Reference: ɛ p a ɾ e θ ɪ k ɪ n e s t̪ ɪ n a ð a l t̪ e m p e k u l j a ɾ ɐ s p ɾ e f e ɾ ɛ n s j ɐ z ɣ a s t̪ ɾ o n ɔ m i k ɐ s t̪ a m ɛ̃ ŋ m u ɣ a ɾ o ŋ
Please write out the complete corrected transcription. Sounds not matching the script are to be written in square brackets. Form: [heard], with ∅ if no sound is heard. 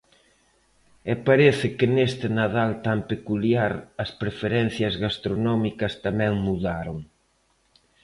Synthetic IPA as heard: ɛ p a ɾ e θ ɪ k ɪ n e s t̪ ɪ n a ð a l t̪ [a] m p e k u l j a ɾ ɐ s p ɾ e f e ɾ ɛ n [θ] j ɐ z ɣ a s t̪ ɾ o n ɔ m i k ɐ s t̪ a m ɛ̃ ŋ m u [ð] a ɾ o ŋ